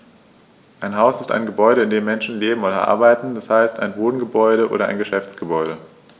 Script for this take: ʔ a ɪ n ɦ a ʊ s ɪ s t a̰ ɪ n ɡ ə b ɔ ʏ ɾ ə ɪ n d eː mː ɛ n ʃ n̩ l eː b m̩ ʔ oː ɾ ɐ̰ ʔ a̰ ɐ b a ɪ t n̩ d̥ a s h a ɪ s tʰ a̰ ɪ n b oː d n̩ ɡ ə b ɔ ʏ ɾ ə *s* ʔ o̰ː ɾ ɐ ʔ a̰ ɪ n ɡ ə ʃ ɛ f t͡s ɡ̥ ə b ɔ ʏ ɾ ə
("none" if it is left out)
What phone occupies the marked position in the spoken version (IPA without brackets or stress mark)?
none